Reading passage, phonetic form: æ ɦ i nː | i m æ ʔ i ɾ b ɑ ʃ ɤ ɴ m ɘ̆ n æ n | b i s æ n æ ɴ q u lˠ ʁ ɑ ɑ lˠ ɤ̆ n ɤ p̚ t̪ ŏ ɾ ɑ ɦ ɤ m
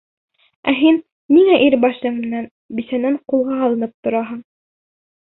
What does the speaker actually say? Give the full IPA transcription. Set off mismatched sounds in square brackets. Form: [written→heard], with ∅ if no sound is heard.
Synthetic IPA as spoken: æ ɦ i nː | i [m→ŋ] æ ʔ i ɾ b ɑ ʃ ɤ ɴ m ɘ̆ n æ n | b i s æ n æ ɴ q u lˠ ʁ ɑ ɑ lˠ ɤ̆ n ɤ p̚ t̪ ŏ ɾ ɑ ɦ ɤ [m→ɴ]